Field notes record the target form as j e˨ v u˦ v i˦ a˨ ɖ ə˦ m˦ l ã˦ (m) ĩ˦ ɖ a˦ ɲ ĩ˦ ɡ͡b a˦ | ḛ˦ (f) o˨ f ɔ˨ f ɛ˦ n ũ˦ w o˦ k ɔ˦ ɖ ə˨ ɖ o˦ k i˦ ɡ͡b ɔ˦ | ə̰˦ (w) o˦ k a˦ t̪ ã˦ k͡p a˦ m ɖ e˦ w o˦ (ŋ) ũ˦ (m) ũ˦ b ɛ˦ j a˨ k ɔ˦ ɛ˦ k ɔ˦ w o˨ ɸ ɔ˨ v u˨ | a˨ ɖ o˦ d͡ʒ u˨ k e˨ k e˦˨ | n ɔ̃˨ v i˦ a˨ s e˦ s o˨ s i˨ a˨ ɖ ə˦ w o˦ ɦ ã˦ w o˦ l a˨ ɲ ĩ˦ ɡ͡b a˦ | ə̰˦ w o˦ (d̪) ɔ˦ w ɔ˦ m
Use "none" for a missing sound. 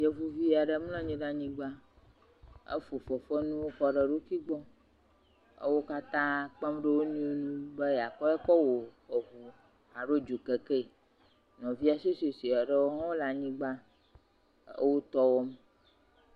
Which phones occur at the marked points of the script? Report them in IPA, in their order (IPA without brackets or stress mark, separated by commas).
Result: ɲ, f, w, n, n, t̪